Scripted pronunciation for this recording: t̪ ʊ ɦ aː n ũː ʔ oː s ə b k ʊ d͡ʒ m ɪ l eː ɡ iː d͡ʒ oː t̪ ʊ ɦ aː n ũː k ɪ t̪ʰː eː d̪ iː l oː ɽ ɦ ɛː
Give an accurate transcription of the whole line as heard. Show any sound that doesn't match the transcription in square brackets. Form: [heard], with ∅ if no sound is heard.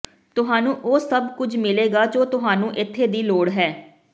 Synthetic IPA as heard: t̪ ʊ ɦ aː n ũː ʔ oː s ə b k ʊ d͡ʒ m ɪ l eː ɡ [aː] d͡ʒ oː t̪ ʊ ɦ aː n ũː [ʔ] ɪ t̪ʰː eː d̪ iː l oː ɽ ɦ ɛː